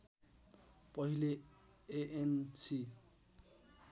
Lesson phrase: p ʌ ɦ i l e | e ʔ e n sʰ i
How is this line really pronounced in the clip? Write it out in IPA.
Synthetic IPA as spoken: p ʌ ɦ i l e | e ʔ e n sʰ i